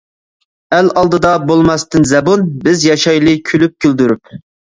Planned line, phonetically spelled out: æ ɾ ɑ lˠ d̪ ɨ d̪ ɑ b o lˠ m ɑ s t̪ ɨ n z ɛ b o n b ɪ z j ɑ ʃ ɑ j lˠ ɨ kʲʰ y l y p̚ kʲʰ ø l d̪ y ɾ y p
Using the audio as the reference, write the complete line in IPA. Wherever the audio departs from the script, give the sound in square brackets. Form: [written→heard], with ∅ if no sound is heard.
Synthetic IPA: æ [ɾ→l] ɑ lˠ d̪ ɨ d̪ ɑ b o lˠ m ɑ s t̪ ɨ n z ɛ b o n b ɪ z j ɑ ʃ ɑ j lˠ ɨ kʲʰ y l y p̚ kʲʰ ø l d̪ y ɾ y p